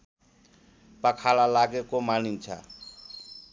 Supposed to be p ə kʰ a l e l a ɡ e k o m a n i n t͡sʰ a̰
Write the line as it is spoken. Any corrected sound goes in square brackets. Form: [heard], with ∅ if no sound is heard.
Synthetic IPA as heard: p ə kʰ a l [a] l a ɡ e k o m a n i n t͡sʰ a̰